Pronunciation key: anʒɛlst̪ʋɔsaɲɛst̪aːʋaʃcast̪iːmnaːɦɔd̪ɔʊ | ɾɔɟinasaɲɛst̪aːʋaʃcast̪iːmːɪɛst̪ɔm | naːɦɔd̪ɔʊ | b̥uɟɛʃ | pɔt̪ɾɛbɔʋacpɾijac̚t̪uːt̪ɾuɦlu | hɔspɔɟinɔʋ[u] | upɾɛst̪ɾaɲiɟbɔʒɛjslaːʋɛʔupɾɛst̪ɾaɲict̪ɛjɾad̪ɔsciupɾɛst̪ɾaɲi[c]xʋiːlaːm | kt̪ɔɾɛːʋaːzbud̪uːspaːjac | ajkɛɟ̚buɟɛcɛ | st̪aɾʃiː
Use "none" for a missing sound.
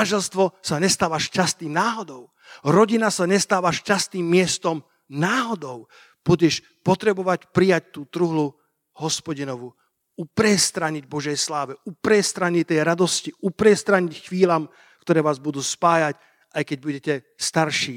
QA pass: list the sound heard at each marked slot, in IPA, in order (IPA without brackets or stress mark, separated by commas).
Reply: u, c